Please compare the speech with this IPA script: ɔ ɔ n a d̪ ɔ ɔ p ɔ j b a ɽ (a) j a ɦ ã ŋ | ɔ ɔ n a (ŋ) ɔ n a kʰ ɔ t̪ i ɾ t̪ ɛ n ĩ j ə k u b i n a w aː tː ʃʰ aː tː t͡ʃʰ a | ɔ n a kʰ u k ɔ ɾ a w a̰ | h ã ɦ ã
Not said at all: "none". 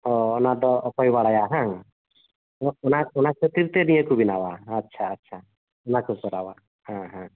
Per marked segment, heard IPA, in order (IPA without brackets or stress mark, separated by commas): a, none